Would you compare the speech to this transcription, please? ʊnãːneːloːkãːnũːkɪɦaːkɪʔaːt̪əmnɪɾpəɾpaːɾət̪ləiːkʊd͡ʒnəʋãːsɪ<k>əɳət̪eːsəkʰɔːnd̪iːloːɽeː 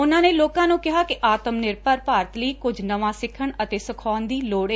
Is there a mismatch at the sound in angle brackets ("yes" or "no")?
yes